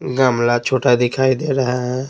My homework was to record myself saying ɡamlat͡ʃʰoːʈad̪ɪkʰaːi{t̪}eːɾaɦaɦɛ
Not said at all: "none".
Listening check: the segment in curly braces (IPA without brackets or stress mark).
d̪